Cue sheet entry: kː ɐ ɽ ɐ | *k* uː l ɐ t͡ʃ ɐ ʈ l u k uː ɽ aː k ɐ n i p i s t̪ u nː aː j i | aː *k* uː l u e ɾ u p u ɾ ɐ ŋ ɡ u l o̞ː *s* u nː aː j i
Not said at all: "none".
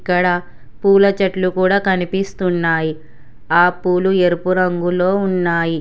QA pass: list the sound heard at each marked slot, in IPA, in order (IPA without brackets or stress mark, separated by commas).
p, p, none